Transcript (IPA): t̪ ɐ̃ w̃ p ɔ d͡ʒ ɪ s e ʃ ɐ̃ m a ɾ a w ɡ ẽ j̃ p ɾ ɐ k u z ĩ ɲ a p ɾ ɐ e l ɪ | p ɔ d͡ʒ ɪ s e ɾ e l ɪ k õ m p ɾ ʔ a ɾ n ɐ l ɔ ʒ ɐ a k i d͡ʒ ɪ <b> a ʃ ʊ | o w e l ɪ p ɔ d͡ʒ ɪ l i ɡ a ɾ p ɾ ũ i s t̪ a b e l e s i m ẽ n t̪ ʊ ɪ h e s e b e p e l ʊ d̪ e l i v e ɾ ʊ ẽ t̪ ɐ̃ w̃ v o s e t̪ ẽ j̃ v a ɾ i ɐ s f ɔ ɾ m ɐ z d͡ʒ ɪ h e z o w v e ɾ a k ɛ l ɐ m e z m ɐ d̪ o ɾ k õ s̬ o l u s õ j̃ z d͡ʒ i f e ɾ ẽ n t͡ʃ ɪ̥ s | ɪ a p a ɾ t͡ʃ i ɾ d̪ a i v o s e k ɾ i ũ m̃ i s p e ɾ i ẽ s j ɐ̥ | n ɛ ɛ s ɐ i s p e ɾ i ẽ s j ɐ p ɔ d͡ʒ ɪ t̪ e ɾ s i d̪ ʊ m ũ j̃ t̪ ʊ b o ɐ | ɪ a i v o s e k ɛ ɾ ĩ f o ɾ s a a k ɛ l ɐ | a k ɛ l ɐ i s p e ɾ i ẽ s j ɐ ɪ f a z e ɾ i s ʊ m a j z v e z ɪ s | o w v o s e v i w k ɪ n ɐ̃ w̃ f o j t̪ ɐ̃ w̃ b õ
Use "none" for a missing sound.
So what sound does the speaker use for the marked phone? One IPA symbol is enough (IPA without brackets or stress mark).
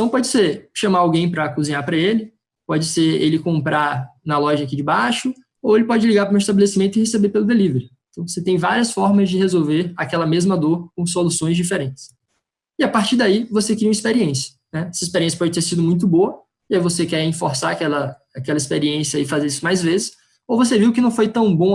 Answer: b